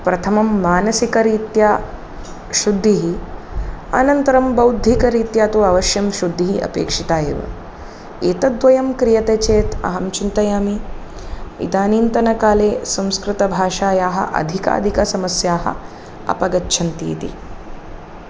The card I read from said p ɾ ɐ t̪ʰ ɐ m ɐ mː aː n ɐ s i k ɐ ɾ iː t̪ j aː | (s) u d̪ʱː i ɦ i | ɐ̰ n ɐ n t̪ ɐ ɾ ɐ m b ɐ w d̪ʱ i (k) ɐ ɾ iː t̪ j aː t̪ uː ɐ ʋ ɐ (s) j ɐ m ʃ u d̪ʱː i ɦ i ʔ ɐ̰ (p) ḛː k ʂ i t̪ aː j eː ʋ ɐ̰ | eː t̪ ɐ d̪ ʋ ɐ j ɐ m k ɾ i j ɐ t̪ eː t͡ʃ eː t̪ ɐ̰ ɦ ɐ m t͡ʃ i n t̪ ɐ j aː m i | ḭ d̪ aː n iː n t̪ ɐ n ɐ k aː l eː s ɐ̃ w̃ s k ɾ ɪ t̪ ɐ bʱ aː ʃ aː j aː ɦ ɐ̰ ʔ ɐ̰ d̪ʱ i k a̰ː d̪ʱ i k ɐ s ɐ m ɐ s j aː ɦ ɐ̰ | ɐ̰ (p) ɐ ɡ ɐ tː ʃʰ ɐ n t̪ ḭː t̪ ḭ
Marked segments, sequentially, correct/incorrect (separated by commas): incorrect, correct, incorrect, correct, correct